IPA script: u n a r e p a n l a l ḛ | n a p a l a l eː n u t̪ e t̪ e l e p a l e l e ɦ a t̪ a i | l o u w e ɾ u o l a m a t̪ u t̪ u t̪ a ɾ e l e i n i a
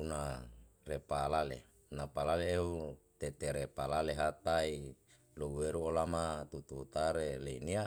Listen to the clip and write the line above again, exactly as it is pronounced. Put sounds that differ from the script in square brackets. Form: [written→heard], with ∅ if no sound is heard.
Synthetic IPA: u n a r e p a [n→∅] l a l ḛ | n a p a l a l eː [n→∅] u t̪ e t̪ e [l→ɾ] e p a l [e→a] l e ɦ a t̪ a i | l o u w e ɾ u o l a m a t̪ u t̪ u t̪ a ɾ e l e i n i a